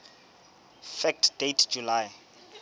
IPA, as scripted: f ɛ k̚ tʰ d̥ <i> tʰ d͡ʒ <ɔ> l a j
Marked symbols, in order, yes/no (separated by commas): no, no